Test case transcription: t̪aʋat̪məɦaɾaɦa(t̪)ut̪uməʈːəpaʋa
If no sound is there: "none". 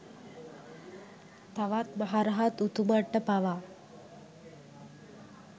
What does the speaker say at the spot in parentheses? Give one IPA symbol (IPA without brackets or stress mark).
t̪